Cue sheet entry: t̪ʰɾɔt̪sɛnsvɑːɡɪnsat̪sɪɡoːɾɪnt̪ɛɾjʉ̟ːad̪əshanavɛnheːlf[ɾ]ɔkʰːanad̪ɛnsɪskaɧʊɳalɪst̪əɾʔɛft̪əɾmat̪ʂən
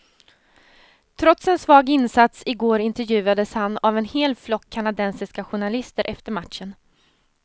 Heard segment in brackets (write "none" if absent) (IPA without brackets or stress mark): l